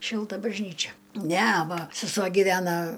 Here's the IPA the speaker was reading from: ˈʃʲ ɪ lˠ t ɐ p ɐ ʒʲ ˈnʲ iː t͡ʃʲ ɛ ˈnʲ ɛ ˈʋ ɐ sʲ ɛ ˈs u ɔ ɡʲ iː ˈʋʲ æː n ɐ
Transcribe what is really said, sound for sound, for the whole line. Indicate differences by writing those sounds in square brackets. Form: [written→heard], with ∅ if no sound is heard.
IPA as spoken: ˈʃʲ ɪ lˠ t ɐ [p→b] ɐ ʒʲ ˈnʲ iː t͡ʃʲ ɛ ˈnʲ ɛ ˈʋ ɐ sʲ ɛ ˈs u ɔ ɡʲ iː ˈʋʲ æː n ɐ